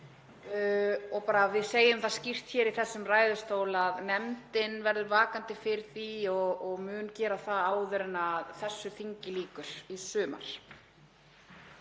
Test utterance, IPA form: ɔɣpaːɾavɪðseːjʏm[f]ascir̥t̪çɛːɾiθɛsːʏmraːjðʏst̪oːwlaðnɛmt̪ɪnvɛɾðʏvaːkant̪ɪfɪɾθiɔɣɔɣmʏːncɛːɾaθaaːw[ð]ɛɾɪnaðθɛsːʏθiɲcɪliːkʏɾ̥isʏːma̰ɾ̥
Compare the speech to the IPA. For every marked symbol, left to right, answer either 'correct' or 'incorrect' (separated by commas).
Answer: incorrect, correct